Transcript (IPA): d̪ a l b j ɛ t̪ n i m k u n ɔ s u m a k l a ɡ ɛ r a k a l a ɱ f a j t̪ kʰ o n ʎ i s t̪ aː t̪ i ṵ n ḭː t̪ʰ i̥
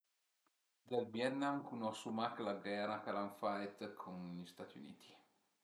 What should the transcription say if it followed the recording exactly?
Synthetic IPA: d̪ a l b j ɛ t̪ n a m k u n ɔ s u m a k l a ɡ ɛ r a k a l a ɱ f a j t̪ kʰ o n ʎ i s t̪ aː t̪ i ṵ n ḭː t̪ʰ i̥